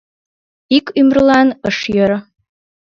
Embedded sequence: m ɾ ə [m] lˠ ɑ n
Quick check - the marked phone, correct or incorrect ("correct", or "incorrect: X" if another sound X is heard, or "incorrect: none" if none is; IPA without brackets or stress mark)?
incorrect: none